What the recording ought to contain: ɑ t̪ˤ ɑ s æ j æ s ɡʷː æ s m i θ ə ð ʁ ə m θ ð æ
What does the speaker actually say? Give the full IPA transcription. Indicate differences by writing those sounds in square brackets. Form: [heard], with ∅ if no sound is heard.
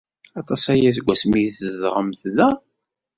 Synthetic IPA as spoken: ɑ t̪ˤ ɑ s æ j æ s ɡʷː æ s m i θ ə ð ʁ ə m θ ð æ